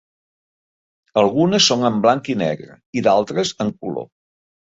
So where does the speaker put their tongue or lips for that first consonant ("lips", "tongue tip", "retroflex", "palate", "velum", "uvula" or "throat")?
tongue tip